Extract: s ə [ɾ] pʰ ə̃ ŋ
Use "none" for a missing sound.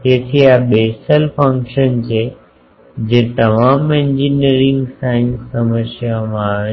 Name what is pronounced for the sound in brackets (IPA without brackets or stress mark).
l